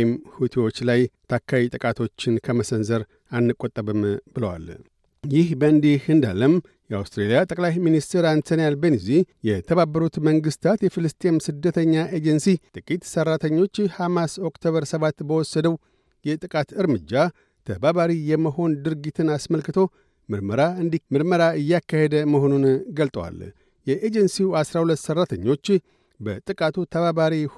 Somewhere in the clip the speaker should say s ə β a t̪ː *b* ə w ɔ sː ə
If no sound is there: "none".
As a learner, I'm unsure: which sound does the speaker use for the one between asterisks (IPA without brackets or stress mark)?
b